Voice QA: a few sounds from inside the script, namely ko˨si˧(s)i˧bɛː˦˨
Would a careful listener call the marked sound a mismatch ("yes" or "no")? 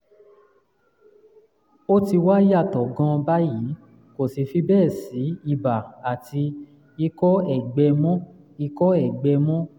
yes